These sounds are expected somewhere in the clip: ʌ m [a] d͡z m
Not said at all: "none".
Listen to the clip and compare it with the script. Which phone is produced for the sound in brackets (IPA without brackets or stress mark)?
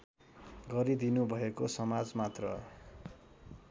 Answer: a